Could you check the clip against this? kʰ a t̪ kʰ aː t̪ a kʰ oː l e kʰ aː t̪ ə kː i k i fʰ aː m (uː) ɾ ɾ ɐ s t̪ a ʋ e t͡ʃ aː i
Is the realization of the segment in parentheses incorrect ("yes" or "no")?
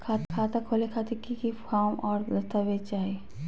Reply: yes